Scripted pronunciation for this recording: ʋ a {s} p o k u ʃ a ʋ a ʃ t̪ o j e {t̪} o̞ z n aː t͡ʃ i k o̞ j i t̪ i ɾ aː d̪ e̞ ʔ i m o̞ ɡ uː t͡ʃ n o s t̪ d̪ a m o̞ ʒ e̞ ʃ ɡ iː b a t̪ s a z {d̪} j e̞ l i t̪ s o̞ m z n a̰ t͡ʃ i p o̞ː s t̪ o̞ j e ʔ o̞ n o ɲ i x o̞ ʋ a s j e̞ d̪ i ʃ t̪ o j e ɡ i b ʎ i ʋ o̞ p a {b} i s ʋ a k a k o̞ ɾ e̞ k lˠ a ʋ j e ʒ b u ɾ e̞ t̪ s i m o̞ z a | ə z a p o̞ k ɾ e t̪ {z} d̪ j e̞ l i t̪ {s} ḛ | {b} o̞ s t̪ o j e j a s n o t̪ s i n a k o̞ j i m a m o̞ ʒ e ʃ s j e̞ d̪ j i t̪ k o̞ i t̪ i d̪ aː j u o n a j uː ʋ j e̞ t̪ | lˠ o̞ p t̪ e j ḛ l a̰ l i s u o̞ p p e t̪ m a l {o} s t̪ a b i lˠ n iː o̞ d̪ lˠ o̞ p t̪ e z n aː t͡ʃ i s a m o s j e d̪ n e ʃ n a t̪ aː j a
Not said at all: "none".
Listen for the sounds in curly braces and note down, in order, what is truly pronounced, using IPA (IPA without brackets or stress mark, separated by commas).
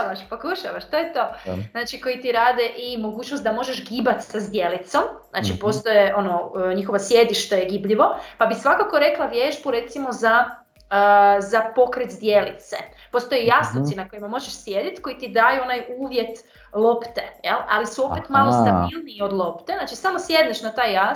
ʃ, t̪, d̪, b, z, s, p, o